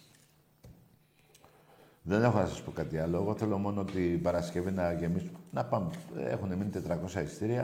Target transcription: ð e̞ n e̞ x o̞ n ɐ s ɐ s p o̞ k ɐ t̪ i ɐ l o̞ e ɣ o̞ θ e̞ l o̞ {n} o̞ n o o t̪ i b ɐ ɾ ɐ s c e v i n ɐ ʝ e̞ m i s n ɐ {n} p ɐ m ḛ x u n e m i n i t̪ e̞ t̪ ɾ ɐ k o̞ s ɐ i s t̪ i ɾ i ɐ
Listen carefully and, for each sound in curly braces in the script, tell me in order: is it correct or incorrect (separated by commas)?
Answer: incorrect, incorrect